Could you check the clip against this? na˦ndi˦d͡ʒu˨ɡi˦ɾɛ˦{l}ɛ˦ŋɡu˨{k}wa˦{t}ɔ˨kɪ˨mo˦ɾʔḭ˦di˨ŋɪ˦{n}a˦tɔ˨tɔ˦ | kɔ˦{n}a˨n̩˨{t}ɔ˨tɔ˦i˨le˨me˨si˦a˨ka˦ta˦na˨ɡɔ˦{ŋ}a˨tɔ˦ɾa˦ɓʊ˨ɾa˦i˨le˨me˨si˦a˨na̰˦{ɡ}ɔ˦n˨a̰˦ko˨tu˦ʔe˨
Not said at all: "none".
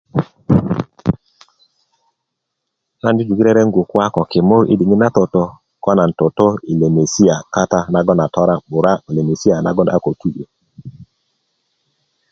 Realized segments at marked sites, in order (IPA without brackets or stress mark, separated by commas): ɾ, k, k, n, n, t, n, ɡ